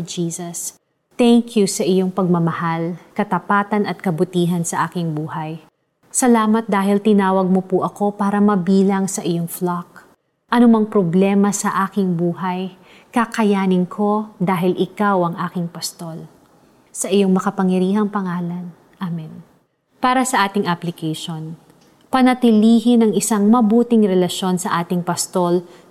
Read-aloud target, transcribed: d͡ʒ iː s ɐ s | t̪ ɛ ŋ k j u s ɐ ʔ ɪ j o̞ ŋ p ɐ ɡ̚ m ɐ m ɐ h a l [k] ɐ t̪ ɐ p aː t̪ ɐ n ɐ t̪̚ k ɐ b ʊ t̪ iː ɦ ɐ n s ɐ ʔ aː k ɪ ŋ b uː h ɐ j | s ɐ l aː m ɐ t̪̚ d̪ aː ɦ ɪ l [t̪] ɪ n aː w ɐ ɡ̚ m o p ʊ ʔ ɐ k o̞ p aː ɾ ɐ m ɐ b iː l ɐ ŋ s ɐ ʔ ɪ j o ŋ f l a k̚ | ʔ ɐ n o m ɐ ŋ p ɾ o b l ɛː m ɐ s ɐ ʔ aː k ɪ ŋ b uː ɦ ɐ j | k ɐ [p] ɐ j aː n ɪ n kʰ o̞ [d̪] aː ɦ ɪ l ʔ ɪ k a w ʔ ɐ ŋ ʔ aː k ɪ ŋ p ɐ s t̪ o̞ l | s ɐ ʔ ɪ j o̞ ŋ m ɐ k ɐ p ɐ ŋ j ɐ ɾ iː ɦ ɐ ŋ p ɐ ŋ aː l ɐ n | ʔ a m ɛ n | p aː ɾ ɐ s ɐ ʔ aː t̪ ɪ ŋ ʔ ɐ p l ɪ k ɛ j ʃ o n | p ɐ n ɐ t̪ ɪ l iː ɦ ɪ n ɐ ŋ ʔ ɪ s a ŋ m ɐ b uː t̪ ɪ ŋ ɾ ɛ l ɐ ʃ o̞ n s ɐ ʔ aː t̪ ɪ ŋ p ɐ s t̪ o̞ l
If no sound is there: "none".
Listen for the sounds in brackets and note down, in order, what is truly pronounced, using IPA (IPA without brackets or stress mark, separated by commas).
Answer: k, t̪, k, d̪